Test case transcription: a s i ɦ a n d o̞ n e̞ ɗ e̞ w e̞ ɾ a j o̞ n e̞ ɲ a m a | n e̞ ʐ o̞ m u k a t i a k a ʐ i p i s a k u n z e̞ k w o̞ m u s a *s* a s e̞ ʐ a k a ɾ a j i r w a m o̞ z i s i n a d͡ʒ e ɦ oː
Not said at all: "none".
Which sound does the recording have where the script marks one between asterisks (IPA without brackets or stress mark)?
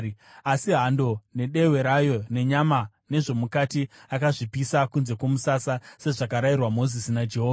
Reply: s